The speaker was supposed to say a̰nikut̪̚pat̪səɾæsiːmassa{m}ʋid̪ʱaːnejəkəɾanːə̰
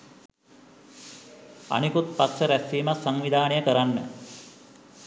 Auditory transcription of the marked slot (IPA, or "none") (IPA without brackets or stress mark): ŋ